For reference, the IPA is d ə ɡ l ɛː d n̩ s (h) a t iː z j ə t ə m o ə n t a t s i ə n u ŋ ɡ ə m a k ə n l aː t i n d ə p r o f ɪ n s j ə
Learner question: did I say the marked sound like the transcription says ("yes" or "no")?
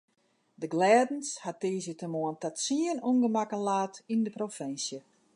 yes